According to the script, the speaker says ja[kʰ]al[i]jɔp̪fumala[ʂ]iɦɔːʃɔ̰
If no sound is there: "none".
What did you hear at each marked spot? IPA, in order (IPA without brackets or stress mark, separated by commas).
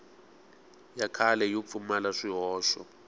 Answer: kʰ, ɛ, ʂ